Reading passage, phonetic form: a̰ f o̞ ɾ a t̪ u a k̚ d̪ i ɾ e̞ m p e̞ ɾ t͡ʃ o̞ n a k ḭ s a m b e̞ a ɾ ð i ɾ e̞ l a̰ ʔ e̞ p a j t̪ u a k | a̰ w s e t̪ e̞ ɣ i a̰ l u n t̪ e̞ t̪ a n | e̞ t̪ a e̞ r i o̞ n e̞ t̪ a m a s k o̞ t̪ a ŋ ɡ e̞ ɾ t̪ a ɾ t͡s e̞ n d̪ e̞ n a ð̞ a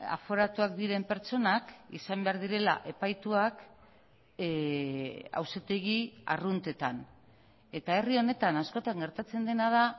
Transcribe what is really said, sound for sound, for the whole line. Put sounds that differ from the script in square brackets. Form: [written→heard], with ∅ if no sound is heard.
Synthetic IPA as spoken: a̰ f o̞ ɾ a t̪ u a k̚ d̪ i ɾ e̞ m p e̞ ɾ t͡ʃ o̞ n a k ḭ s a m b e̞ a ɾ ð i ɾ e̞ l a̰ ʔ e̞ p a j t̪ u a k | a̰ w s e t̪ e̞ ɣ i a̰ [l→r] u n t̪ e̞ t̪ a n | e̞ t̪ a e̞ r i o̞ n e̞ t̪ a [m→n] a s k o̞ t̪ a ŋ ɡ e̞ ɾ t̪ a [ɾ→∅] t͡s e̞ n d̪ e̞ n a ð̞ a